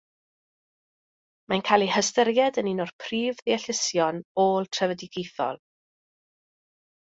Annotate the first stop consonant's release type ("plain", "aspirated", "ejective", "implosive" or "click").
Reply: aspirated